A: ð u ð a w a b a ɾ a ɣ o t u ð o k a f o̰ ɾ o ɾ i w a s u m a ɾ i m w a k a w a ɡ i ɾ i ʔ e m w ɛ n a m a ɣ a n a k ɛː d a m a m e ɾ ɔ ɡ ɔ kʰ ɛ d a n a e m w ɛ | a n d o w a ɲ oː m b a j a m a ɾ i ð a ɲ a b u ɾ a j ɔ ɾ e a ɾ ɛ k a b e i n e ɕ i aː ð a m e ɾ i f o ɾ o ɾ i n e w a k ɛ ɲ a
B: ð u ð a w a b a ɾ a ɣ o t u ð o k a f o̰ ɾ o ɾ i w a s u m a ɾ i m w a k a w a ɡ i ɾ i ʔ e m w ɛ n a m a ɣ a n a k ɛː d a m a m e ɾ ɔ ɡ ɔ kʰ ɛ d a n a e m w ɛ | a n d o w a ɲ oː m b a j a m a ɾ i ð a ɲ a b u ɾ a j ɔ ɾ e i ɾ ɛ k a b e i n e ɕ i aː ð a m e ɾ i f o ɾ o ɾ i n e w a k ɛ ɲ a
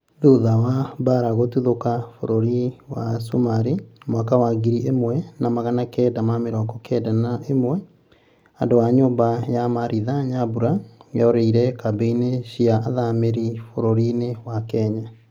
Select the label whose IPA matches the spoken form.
B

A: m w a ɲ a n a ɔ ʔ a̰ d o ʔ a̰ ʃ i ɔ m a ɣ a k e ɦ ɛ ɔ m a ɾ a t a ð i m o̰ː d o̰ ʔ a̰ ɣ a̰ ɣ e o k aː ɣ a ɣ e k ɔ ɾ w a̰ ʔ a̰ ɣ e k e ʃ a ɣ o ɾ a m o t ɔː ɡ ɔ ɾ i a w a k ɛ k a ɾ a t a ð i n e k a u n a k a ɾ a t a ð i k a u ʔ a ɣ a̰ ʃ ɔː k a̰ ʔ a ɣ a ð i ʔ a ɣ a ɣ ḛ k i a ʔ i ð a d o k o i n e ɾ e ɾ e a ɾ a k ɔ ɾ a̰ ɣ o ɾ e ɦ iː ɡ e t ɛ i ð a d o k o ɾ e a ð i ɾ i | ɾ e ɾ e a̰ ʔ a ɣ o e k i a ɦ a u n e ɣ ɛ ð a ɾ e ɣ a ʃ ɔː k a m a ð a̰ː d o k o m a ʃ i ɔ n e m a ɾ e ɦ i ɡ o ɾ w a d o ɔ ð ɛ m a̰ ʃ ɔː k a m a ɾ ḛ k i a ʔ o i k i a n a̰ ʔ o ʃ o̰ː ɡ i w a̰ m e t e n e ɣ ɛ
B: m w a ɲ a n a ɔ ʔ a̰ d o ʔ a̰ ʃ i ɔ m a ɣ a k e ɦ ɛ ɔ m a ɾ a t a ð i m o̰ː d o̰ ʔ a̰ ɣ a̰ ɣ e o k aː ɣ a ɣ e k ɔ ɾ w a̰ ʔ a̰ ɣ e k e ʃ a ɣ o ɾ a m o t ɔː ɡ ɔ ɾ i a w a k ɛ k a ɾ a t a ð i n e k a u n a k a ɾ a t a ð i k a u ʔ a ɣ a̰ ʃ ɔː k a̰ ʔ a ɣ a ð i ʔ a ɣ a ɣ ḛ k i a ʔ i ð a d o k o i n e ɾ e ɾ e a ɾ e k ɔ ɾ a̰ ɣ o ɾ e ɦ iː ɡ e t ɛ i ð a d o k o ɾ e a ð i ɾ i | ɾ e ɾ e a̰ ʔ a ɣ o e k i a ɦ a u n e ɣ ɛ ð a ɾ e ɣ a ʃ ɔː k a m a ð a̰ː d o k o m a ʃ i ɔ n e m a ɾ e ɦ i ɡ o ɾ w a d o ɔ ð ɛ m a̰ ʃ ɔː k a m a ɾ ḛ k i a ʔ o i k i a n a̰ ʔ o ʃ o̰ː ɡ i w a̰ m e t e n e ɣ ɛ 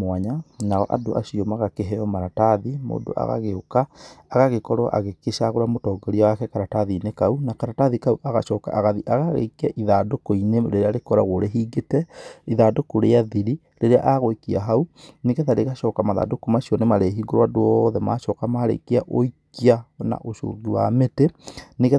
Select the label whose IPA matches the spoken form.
B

